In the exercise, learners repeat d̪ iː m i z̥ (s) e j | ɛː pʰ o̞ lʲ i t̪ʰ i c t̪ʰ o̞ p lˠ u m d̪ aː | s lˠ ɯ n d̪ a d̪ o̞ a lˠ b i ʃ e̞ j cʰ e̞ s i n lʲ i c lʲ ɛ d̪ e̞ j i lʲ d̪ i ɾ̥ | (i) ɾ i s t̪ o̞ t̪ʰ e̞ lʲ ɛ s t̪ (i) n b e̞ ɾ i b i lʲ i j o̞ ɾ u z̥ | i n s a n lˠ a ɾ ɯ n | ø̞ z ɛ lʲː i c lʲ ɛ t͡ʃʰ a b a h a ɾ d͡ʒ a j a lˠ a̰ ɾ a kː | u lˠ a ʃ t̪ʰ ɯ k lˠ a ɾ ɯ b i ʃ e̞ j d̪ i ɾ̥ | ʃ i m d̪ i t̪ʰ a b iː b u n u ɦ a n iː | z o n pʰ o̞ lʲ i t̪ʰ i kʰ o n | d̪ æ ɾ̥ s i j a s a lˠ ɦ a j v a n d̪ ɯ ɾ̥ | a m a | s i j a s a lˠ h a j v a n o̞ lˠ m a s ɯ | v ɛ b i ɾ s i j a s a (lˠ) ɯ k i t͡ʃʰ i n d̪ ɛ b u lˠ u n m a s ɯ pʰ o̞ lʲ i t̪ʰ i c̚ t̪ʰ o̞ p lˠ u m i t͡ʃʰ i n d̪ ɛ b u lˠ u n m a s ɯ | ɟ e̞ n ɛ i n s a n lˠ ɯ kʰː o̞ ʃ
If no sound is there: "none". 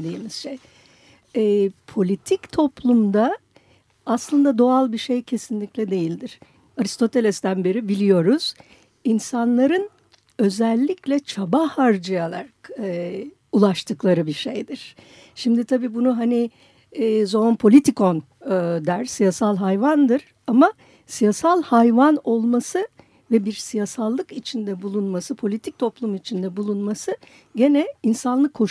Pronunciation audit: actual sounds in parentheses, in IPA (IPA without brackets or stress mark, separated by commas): ʃ, a, æ, lˠː